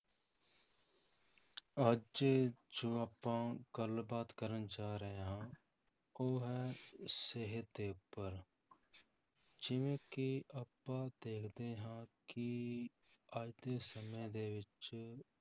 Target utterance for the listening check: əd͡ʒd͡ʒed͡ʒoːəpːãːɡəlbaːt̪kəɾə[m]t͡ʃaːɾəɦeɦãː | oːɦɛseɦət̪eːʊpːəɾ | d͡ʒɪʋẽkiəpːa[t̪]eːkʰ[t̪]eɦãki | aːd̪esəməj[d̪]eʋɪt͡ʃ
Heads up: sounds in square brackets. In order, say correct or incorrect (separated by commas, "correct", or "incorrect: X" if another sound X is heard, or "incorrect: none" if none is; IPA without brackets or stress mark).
incorrect: n, incorrect: d̪, incorrect: d̪, correct